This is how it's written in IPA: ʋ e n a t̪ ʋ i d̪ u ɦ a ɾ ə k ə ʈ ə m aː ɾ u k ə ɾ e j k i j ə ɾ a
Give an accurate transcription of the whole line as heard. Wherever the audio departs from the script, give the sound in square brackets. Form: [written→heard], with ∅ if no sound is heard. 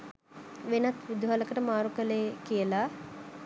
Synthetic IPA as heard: ʋ e n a t̪ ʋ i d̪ u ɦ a [ɾ→l] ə k ə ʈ ə m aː ɾ u k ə [ɾ→l] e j k i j ə [ɾ→l] a